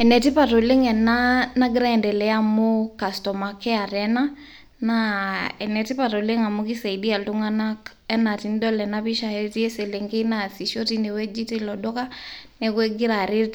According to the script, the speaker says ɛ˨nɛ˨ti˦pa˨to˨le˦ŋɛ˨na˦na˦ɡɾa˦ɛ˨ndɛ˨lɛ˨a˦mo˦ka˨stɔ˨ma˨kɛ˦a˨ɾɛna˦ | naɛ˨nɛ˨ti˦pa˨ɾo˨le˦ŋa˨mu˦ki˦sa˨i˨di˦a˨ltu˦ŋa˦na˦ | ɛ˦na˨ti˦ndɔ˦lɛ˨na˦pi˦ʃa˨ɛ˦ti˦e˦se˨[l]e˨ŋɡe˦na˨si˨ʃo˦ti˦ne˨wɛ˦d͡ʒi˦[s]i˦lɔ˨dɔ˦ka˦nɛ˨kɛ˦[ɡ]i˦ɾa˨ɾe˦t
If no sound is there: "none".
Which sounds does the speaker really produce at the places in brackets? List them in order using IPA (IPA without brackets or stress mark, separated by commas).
l, t, ɡ